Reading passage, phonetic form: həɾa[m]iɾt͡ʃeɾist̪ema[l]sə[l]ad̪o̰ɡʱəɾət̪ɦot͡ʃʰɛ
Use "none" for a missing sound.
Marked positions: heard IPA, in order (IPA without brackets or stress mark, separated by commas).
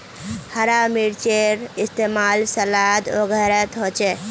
m, l, l